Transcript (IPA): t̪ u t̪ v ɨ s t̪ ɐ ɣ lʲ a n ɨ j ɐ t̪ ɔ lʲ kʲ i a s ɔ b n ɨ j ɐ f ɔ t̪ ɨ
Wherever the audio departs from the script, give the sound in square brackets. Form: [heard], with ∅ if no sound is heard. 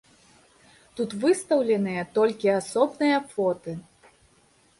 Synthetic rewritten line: t̪ u t̪ v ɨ s t̪ ɐ [w] lʲ [ɛ] n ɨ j ɐ t̪ ɔ lʲ kʲ i a s ɔ b n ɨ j ɐ f ɔ t̪ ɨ